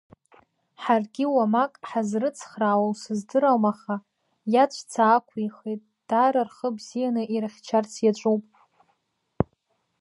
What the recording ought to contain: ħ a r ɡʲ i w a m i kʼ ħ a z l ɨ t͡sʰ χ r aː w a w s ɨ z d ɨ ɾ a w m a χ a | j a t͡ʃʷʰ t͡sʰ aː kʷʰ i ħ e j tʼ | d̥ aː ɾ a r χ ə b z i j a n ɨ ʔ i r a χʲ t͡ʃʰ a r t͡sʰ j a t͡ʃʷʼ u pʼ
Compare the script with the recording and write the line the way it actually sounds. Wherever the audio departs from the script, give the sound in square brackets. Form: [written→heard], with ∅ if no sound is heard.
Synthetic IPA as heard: ħ a r ɡʲ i w a m [i→a] kʼ ħ a z [l→r] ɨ t͡sʰ χ r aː w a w s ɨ z d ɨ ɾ a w m a χ a | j a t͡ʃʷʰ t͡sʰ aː kʷʰ i [ħ→χ] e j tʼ | d̥ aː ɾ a r χ ə b z i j a n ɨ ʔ i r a χʲ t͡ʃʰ a r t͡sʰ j a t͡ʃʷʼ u pʼ